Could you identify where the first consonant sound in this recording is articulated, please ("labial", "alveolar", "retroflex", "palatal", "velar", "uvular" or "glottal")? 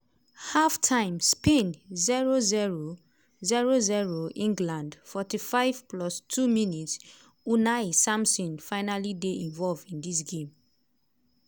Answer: glottal